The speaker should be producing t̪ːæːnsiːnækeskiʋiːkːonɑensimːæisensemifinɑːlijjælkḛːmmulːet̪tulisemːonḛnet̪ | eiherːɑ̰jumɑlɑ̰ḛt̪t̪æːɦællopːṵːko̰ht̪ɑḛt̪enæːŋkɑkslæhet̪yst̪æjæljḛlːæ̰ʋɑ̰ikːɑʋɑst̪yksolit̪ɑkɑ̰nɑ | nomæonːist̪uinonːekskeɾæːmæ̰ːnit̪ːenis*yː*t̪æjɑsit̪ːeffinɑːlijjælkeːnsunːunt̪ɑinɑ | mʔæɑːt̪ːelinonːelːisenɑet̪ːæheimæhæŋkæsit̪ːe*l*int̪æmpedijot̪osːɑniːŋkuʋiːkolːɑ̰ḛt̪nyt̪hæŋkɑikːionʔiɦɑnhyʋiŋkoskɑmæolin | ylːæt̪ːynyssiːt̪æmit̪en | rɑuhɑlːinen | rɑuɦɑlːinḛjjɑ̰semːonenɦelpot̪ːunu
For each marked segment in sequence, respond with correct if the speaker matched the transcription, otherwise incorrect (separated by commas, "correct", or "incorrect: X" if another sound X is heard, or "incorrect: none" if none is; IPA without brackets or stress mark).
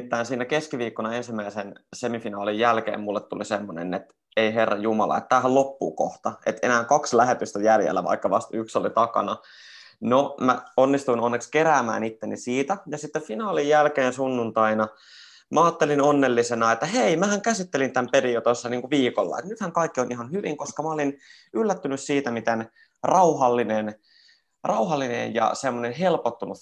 incorrect: iː, correct